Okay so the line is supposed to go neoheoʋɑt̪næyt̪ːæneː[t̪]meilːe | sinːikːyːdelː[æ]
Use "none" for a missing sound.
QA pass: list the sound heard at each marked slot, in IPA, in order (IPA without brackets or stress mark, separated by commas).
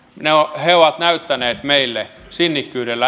t̪, æ